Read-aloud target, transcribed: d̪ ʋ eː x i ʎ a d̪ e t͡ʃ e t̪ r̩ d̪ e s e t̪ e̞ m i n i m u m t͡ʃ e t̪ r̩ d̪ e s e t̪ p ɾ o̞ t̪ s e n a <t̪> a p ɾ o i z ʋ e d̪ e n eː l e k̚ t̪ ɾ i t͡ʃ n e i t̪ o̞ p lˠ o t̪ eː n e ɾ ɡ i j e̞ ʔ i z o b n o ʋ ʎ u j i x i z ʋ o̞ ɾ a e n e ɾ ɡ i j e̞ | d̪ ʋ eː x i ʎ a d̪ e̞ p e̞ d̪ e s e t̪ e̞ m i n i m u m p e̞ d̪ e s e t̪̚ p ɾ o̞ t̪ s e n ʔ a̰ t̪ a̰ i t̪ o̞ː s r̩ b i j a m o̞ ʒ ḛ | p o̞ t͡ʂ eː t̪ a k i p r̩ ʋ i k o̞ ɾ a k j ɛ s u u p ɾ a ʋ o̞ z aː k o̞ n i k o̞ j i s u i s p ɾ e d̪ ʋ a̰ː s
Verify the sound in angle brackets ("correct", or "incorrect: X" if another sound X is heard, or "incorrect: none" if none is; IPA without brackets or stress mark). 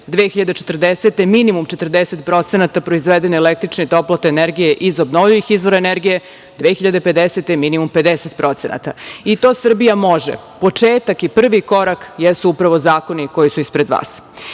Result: correct